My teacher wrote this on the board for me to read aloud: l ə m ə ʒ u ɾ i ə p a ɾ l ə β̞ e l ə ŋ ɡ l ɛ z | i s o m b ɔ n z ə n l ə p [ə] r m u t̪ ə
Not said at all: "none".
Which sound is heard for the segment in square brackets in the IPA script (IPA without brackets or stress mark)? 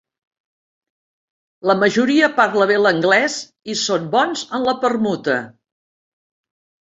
ə